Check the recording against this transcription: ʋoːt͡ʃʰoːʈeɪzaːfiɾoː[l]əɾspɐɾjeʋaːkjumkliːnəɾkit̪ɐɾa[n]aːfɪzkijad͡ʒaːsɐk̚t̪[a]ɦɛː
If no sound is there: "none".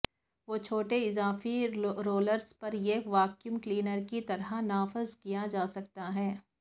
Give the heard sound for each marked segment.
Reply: l, n, a

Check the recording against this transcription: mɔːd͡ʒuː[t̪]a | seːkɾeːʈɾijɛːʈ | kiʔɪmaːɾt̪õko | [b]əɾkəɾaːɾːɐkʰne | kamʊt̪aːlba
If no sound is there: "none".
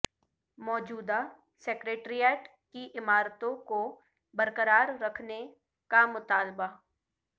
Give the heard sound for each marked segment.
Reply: d̪, b

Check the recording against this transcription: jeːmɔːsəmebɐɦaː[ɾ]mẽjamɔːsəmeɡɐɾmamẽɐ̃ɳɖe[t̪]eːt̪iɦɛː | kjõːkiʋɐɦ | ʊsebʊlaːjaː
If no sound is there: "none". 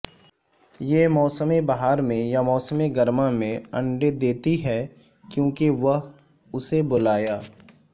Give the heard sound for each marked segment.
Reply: ɾ, d̪

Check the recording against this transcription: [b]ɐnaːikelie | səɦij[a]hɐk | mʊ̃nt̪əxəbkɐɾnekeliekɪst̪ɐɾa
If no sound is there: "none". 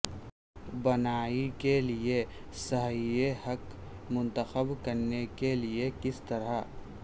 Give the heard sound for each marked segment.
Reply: b, e

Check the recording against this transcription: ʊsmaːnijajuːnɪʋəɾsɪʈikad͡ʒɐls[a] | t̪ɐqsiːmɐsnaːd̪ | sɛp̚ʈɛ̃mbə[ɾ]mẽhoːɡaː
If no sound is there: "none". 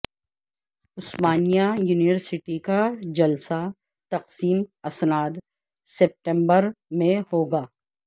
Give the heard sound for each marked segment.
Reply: a, ɾ

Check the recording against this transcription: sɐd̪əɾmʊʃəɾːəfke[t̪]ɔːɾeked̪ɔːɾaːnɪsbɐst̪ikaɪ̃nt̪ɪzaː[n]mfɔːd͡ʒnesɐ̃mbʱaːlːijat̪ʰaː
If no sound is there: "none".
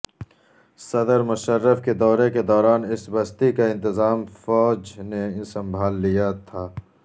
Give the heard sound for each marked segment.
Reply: d̪, none

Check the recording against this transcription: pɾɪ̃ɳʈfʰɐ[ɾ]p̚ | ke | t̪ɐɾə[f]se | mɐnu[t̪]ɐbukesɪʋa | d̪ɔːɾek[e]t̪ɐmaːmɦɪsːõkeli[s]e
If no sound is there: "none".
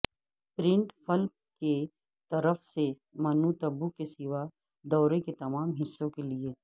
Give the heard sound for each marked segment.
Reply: l, f, t̪, e, none

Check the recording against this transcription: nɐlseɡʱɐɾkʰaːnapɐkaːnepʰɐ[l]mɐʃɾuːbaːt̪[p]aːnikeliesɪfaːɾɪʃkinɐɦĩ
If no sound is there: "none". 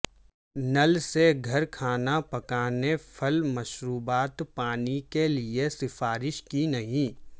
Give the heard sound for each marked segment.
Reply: l, p

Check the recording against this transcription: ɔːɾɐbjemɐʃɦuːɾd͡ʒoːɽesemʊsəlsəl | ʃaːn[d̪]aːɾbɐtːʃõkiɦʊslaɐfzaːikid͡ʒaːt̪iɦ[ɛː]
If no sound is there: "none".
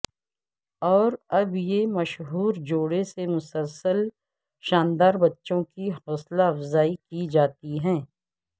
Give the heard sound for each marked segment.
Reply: d̪, ɛ̃ː

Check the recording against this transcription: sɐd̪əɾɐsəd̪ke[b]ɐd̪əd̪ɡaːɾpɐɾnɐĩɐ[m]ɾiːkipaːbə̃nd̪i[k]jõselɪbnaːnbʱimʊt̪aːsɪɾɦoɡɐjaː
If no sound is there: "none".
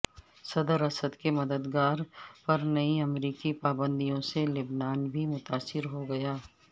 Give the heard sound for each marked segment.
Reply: m, m, none

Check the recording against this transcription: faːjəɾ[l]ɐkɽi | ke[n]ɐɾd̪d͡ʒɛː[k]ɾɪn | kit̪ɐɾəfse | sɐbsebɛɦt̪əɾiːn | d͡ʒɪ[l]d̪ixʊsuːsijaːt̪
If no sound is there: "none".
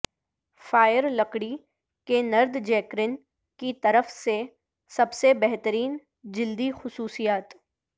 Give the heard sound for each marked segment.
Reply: l, n, k, l

